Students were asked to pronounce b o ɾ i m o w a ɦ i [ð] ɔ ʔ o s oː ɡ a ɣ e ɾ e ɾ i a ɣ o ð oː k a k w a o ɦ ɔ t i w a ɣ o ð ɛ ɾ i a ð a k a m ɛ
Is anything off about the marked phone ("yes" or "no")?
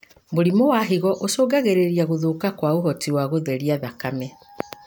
yes